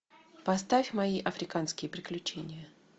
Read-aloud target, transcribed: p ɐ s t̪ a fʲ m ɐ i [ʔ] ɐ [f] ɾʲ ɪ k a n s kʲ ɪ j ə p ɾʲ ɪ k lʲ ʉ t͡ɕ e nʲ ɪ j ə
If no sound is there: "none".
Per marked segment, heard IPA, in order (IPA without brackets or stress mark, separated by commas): ʔ, f